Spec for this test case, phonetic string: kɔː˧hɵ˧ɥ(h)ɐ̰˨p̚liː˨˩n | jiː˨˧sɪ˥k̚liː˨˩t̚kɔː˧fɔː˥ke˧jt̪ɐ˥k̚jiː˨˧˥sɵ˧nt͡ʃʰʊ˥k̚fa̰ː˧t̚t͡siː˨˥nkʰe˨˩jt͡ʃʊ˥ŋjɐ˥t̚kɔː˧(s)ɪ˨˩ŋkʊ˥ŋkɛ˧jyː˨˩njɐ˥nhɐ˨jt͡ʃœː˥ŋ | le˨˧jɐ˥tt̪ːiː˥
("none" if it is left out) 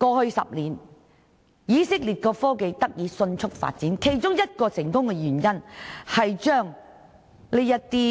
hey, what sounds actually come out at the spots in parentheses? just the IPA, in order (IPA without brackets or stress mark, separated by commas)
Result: s, s